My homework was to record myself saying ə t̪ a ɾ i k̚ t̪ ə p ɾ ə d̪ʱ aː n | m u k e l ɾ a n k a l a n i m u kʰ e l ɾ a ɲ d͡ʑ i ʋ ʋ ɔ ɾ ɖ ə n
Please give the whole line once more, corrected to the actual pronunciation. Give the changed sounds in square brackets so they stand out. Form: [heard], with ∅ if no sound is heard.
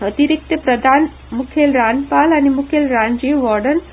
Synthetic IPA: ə t̪ [i] ɾ i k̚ t̪ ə p ɾ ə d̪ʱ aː n | m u [kʰ] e l ɾ a n [p] a l a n i m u kʰ e l ɾ a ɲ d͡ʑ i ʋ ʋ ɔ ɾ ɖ ə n